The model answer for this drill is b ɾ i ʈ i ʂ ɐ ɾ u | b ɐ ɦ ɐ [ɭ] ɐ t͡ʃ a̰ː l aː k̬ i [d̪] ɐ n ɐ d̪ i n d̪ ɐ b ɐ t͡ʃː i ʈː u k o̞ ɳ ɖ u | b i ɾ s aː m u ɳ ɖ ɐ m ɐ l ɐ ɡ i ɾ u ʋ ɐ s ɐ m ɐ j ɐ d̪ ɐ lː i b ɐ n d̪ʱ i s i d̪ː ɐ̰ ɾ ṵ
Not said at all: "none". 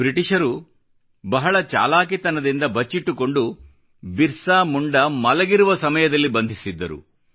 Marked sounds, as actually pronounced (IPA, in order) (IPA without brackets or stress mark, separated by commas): ɭ, t̪